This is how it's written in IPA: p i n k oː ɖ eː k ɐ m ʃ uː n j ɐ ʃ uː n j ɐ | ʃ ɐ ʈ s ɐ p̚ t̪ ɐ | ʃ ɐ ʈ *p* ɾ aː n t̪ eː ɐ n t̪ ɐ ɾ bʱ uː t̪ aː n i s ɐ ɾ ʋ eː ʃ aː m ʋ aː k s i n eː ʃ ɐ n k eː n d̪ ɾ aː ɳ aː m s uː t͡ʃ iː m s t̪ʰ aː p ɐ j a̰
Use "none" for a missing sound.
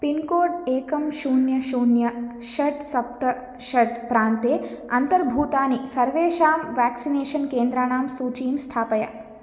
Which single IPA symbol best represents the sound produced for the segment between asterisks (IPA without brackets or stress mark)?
p